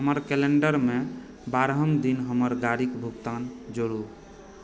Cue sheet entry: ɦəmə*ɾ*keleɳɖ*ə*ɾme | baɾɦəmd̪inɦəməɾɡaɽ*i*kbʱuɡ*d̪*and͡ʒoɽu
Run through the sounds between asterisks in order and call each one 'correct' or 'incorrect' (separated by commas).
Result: correct, correct, correct, incorrect